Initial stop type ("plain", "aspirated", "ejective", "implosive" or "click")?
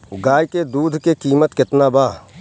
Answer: plain